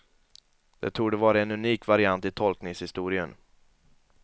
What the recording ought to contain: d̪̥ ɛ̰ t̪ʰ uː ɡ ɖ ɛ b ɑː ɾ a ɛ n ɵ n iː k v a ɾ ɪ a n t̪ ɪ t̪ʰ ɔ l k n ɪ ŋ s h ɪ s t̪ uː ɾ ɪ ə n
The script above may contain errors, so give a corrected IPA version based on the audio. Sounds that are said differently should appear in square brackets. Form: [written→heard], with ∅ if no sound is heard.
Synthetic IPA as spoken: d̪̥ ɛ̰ t̪ʰ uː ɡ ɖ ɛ [b→v] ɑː ɾ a ɛ n ɵ n iː k v a ɾ ɪ a n t̪ ɪ t̪ʰ ɔ l k n ɪ ŋ s h ɪ s t̪ uː ɾ ɪ ə n